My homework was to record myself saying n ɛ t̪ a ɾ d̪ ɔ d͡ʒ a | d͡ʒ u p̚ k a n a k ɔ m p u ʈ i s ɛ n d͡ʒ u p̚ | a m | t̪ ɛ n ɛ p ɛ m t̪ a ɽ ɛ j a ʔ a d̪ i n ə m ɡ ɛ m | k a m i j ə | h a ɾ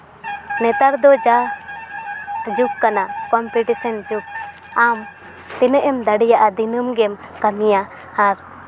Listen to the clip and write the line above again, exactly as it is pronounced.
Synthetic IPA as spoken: n ɛ t̪ a ɾ d̪ ɔ d͡ʒ a | d͡ʒ u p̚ k a n a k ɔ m p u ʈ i s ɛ n d͡ʒ u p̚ | a m | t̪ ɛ n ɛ ʔ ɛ m d̪ a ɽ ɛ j a ʔ a d̪ i n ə m ɡ ɛ m | k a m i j a | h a ɾ